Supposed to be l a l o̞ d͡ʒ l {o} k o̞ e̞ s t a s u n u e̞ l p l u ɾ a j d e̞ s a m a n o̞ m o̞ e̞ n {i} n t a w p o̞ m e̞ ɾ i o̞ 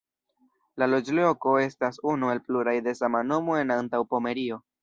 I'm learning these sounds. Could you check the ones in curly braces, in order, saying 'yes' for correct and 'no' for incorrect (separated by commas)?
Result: yes, no